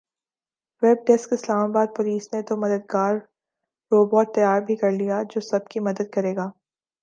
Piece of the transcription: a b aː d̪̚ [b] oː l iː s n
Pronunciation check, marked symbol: incorrect: p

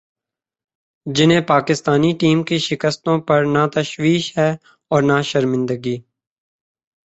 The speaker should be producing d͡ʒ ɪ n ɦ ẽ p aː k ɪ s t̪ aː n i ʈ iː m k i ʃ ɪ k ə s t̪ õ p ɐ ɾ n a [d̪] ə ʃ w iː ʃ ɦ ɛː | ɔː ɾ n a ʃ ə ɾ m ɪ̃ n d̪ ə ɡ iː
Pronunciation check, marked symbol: incorrect: t̪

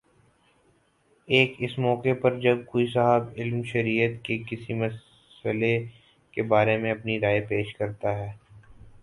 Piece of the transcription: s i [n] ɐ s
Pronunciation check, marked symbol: incorrect: m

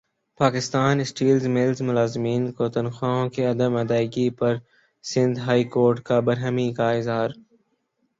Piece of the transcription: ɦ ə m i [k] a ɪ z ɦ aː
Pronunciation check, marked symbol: correct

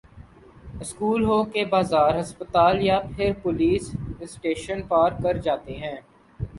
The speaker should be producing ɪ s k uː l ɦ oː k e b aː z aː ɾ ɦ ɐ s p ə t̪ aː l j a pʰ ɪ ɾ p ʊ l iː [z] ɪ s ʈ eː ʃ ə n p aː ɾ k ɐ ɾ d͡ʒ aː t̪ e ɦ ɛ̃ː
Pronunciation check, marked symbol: incorrect: s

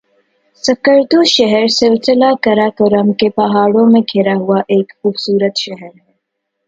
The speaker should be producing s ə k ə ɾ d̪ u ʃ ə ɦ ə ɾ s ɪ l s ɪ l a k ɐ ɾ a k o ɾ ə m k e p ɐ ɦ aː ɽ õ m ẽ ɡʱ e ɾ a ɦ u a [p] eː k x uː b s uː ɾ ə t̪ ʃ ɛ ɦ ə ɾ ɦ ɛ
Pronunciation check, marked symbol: incorrect: ʔ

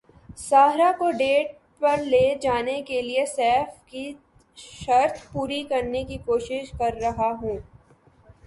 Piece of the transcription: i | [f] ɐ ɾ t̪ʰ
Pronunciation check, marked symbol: incorrect: ʃ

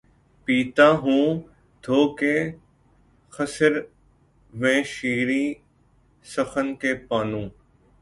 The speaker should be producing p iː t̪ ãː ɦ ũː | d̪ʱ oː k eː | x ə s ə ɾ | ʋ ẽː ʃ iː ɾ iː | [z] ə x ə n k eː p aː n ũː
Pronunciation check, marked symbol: incorrect: s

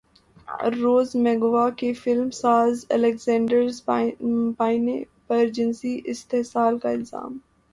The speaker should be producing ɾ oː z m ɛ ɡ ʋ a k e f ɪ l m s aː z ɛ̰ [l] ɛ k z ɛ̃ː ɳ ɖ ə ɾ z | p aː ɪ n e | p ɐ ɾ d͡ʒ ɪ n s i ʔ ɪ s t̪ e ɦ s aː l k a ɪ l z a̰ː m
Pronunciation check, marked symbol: correct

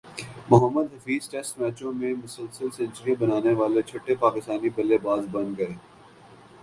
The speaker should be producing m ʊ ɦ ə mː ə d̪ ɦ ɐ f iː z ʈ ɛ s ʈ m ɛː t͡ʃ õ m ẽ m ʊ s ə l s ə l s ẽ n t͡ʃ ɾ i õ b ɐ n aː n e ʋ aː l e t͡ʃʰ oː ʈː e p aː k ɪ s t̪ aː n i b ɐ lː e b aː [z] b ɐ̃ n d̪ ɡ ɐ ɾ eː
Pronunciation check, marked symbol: correct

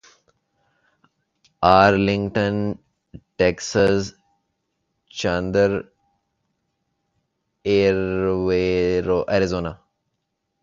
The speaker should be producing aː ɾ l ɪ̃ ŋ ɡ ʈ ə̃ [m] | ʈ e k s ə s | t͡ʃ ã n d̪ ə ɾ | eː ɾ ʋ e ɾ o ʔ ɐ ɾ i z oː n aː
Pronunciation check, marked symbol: incorrect: n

